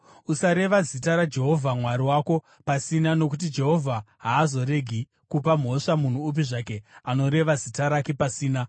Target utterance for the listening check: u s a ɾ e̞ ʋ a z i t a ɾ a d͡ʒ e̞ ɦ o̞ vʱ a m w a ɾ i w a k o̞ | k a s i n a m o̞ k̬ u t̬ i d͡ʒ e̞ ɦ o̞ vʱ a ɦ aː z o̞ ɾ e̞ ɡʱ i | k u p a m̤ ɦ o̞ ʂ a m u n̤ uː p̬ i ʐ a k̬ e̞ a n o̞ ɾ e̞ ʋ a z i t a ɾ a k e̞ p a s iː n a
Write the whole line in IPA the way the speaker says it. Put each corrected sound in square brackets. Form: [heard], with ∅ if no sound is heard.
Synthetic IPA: u s a ɾ e̞ ʋ a z i t a ɾ a d͡ʒ e̞ ɦ o̞ vʱ a m w a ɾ i w a k o̞ | [p] a s i n a [n] o̞ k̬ u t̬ i d͡ʒ e̞ ɦ o̞ vʱ a ɦ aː z o̞ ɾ e̞ ɡʱ i | k u p a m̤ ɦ o̞ ʂ a m u n̤ uː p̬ i ʐ a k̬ e̞ a n o̞ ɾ e̞ ʋ a z i t a ɾ a k e̞ p a s iː n a

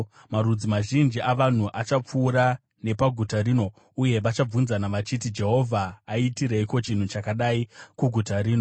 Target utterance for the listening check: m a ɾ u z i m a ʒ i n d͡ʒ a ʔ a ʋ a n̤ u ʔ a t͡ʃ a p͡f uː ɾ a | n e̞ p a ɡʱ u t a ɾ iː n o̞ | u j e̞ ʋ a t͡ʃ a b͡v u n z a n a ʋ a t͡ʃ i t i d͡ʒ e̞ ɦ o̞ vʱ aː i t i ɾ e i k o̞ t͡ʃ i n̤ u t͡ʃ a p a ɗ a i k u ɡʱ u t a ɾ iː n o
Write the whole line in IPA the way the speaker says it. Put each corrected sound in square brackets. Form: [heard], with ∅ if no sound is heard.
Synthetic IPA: m a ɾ u [d͡z] i m a ʒ i n d͡ʒ [i] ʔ a ʋ a n̤ u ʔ a t͡ʃ a p͡f uː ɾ a | n e̞ p a ɡʱ u t a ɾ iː n o̞ | u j e̞ ʋ a t͡ʃ a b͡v u n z a n a ʋ a t͡ʃ i t i d͡ʒ e̞ ɦ o̞ vʱ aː i t i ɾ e i k o̞ t͡ʃ i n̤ u t͡ʃ a [k] a ɗ a i k u ɡʱ u t a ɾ iː n o

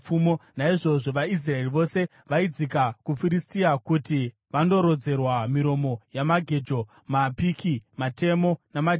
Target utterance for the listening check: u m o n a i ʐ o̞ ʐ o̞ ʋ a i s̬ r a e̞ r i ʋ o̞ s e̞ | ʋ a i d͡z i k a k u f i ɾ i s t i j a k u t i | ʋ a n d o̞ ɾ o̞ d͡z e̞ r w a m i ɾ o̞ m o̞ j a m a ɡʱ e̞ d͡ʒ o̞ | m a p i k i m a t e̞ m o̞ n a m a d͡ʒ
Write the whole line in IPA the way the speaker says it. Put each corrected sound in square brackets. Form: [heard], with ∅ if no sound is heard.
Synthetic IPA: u m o n a i ʐ o̞ ʐ o̞ ʋ a i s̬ r a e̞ r i ʋ o̞ s e̞ | ʋ a i d͡z i k a k u f i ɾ i s t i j a k u t i | ʋ a n d o̞ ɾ o̞ d͡z e̞ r w a m i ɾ o̞ m o̞ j a m a ɡʱ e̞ d͡ʒ o̞ | m a p i k i m a t e̞ m o̞ n a m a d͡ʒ

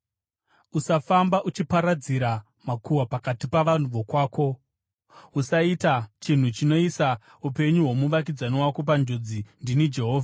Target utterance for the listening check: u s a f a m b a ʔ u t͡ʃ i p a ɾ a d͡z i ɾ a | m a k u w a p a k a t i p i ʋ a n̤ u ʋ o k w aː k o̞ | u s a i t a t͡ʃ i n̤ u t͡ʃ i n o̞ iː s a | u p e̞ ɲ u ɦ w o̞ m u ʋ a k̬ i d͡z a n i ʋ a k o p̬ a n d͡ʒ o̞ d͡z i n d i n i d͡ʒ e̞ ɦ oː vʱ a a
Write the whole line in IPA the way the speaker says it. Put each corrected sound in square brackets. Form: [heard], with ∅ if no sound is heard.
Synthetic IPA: u s a f a m b a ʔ u t͡ʃ i p a ɾ a d͡z i ɾ a | m a k u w a p a k a t i p [a] ʋ a n̤ u ʋ o k w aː k o̞ | u s a i t a t͡ʃ i n̤ u t͡ʃ i n o̞ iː s a | u p e̞ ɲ u ɦ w o̞ m u ʋ a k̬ i d͡z a n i [w] a k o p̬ a n d͡ʒ o̞ d͡z i n d i n i d͡ʒ e̞ ɦ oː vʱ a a

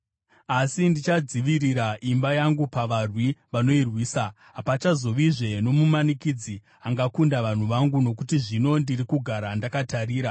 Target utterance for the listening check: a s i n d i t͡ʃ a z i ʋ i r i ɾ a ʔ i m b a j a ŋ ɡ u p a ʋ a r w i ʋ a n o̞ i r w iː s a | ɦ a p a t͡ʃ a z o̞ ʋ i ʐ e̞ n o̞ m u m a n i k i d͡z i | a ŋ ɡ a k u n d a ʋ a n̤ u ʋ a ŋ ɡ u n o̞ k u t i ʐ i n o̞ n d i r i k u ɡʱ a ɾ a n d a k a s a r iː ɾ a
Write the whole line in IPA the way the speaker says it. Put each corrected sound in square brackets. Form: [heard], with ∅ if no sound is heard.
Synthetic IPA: a s i n d i t͡ʃ a [d͡z] i ʋ i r i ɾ a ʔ i m b a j a ŋ ɡ u p a ʋ a r w i ʋ a n o̞ i r w iː s a | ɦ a p a t͡ʃ a z o̞ ʋ i ʐ e̞ n o̞ m u m a n i k i d͡z i | a ŋ ɡ a k u n d a ʋ a n̤ u ʋ a ŋ ɡ u n o̞ k u t i ʐ i n o̞ n d i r i k u ɡʱ a ɾ a n d a k a [t] a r iː ɾ a

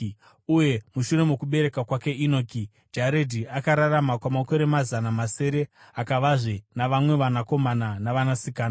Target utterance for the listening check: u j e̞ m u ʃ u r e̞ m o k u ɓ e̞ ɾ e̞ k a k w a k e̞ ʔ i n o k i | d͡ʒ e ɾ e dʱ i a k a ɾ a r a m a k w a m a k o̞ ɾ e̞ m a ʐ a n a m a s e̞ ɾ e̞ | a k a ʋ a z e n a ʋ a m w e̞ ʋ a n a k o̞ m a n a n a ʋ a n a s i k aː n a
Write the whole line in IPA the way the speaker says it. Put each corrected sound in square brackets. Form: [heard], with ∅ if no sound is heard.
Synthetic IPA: u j e̞ m u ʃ u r e̞ m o k u ɓ e̞ ɾ e̞ k a k w a k e̞ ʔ i n o k i | d͡ʒ [a] ɾ e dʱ i a k a ɾ a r a m a k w a m a k o̞ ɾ e̞ m a [z] a n a m a s e̞ ɾ e̞ | a k a ʋ a [ʐ] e n a ʋ a m w e̞ ʋ a n a k o̞ m a n a n a ʋ a n a s i k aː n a

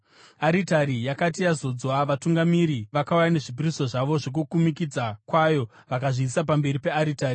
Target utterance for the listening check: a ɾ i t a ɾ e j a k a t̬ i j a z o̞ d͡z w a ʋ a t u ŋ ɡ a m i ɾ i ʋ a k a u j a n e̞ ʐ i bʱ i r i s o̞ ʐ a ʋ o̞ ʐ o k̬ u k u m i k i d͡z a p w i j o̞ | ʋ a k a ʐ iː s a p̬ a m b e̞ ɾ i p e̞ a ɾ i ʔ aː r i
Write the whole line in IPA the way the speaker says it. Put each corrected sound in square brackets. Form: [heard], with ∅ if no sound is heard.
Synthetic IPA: a ɾ i t a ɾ [i] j a k a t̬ i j a z o̞ d͡z w a ʋ a t u ŋ ɡ a m i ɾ i ʋ a k a u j a n e̞ ʐ i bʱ i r i s o̞ ʐ a ʋ o̞ ʐ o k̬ u k u m i k i d͡z a [k] w [a] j o̞ | ʋ a k a ʐ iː s a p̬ a m b e̞ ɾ i p e̞ a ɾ i [t] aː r i

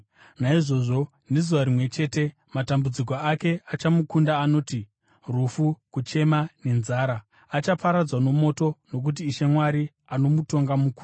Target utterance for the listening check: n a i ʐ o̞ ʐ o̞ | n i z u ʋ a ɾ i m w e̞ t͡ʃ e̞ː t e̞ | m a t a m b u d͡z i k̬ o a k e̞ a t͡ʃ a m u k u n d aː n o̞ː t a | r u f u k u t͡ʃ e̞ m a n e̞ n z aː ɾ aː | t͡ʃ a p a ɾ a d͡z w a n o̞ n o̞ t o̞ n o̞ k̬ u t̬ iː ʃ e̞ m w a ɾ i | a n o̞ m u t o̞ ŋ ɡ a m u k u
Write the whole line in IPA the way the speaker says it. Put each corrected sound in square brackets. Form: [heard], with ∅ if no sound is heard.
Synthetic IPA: n a i ʐ o̞ ʐ o̞ | n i z u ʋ a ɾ i m w e̞ t͡ʃ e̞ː t e̞ | m a t a m b u d͡z i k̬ o a k e̞ a t͡ʃ a m u k u n d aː n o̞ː t [i] | r u f u k u t͡ʃ e̞ m a n e̞ n z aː ɾ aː | t͡ʃ a p a ɾ a d͡z w a n o̞ [m] o̞ t o̞ n o̞ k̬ u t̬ iː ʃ e̞ m w a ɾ i | a n o̞ m u t o̞ ŋ ɡ a m u k u

